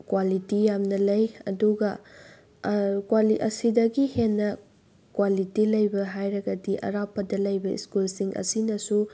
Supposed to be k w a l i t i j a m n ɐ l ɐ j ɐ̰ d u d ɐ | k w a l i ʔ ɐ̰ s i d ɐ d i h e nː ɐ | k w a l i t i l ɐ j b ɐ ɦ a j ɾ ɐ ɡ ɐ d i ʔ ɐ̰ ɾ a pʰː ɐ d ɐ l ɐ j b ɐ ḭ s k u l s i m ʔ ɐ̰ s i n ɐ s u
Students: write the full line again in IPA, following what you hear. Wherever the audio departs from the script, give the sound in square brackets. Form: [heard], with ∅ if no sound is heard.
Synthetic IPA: k w a l i t i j a m n ɐ l ɐ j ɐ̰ d u [ɡ] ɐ | k w a l i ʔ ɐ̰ s i d ɐ [ɡ] i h e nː ɐ | k w a l i t i l ɐ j b ɐ ɦ a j ɾ ɐ ɡ ɐ d i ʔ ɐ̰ ɾ a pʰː ɐ d ɐ l ɐ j b ɐ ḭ s k u l s i [ŋ] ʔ ɐ̰ s i n ɐ s u